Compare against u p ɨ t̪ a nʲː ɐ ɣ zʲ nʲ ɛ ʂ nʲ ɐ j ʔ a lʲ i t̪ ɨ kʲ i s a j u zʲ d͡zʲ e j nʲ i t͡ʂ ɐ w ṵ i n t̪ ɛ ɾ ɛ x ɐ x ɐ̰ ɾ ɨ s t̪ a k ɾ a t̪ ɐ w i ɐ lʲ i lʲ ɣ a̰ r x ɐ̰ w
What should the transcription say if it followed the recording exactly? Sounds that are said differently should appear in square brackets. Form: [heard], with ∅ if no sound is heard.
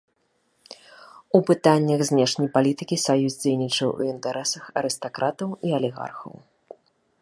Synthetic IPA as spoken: u p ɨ t̪ a nʲː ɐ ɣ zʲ nʲ ɛ ʂ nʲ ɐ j [p] a lʲ i t̪ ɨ kʲ i s a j u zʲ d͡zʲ e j nʲ i t͡ʂ ɐ w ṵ i n t̪ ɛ ɾ ɛ [s] ɐ x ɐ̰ ɾ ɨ s t̪ a k ɾ a t̪ ɐ w i ɐ lʲ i [∅] ɣ a̰ r x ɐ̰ w